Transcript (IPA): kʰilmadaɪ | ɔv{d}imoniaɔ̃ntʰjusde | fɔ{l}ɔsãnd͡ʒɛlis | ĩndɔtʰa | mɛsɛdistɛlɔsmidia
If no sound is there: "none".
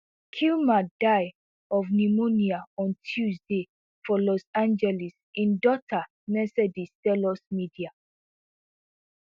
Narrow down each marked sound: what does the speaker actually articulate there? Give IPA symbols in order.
n, l

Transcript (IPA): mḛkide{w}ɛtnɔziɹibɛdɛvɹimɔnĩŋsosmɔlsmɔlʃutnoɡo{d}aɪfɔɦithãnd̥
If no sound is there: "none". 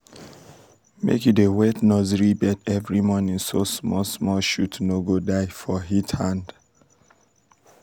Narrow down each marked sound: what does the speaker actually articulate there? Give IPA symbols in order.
w, d

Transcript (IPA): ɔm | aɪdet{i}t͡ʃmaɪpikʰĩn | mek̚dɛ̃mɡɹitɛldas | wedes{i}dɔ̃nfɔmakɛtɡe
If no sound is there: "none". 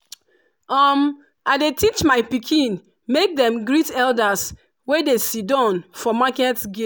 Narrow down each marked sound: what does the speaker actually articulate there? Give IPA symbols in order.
i, i

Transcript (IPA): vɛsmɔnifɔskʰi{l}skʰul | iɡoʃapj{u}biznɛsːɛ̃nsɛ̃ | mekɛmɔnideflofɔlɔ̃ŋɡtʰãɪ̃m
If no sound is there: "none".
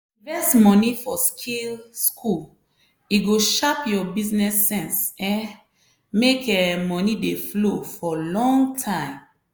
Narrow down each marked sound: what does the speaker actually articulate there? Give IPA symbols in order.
l, ɔ

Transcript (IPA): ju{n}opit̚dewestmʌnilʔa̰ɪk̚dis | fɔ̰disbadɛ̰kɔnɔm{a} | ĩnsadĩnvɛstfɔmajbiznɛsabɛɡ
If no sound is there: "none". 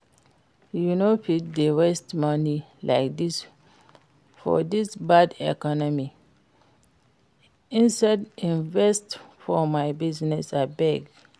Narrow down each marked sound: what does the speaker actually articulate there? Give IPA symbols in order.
n, i

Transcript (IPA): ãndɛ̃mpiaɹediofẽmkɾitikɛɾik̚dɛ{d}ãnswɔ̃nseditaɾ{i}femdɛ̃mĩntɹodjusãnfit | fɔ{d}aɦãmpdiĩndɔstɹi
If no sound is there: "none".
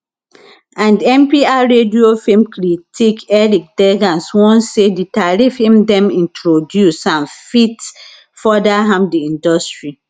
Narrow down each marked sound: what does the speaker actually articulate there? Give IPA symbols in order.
ɡ, i, d

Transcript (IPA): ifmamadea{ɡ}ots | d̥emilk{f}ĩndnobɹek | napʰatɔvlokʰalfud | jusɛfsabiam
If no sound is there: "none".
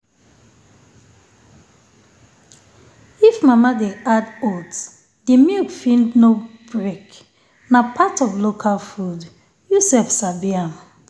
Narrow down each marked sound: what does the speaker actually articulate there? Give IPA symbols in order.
d, f

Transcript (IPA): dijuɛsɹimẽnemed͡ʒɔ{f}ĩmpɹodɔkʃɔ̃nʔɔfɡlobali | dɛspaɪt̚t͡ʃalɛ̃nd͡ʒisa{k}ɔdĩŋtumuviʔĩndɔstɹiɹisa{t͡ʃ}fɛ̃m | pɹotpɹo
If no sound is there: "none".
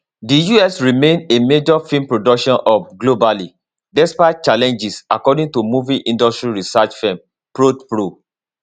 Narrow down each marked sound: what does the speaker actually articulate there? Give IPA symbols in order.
f, k, t͡ʃ

